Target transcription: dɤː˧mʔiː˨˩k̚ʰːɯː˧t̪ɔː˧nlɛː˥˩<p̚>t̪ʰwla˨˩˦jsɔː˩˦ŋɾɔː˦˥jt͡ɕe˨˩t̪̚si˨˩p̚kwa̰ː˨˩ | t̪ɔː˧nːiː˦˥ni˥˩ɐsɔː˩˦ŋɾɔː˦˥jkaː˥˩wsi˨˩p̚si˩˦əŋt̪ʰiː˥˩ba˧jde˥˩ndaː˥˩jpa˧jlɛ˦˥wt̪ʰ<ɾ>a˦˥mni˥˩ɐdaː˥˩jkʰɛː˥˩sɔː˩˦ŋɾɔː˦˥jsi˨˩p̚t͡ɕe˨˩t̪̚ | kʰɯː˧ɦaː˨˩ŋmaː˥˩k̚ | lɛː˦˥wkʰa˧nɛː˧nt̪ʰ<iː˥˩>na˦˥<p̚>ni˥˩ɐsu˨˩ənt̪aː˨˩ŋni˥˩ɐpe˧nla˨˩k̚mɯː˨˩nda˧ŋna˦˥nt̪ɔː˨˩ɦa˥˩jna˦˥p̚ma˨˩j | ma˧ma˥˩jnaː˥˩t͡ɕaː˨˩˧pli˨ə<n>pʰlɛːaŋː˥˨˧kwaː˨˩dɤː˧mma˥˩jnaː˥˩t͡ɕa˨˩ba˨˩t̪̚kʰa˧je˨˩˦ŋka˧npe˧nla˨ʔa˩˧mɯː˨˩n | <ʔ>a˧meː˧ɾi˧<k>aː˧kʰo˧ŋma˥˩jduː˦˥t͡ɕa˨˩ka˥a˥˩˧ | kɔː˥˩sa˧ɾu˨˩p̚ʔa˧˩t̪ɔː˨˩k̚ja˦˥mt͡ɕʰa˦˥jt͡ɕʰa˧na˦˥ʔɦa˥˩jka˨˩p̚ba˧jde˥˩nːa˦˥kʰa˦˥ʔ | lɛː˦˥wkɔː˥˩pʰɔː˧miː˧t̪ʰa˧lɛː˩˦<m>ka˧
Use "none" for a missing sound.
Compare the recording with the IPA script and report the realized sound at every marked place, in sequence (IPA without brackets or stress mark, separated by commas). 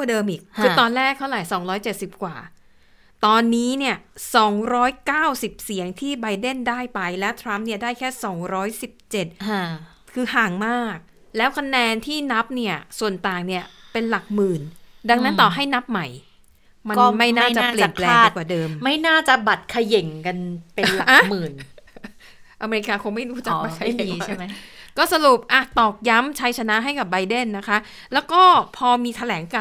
k̚, ɾ, iː˥˩, p̚, n, ʔ, k, ŋ